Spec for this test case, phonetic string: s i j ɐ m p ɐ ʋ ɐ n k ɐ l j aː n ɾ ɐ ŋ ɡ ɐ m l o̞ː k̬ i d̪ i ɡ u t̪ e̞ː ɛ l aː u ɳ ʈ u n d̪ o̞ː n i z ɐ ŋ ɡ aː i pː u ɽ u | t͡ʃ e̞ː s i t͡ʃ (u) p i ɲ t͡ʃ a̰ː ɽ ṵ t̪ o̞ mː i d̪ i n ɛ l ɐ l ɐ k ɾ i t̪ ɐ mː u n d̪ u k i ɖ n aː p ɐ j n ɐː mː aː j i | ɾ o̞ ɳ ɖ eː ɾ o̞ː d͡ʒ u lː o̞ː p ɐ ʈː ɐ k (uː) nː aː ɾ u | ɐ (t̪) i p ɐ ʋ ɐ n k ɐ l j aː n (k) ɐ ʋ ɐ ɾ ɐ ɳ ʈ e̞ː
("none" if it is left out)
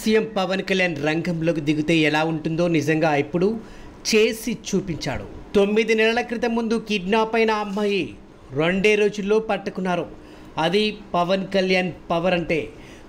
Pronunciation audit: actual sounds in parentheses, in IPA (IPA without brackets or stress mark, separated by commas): uː, u, d̪, p